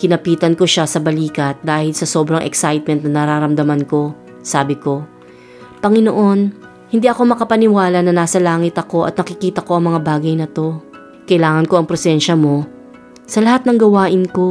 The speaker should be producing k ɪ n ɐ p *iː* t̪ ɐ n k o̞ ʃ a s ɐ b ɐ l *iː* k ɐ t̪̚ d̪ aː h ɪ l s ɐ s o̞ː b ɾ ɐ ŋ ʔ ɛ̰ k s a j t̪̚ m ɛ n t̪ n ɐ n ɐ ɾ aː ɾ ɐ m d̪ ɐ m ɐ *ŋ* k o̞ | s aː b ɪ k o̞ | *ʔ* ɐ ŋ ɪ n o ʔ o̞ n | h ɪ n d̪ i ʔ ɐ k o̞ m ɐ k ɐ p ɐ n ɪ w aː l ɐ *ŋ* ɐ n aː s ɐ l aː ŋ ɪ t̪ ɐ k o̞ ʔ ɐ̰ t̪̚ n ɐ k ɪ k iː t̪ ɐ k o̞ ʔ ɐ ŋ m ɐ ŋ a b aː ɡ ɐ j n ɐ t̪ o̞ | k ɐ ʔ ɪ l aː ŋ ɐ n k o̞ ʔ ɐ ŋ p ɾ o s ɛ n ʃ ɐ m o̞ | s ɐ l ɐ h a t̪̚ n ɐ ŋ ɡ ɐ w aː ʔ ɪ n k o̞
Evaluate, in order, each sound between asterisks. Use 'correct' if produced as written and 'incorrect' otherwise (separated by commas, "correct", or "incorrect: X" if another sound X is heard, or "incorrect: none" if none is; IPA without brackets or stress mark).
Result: correct, correct, incorrect: n, incorrect: p, incorrect: n